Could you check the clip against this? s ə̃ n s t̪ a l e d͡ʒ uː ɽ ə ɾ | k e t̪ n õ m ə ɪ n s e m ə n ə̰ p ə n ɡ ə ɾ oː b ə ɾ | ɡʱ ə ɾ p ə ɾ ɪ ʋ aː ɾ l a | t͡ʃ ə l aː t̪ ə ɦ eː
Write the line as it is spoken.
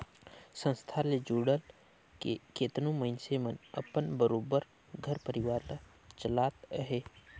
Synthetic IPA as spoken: s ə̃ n s t̪ʰ a l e d͡ʒ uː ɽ ə l | k e t̪ n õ m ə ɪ n s e m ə n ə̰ p ə n b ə ɾ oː b ə ɾ | ɡʱ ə ɾ p ə ɾ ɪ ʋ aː ɾ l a | t͡ʃ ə l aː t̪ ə ɦ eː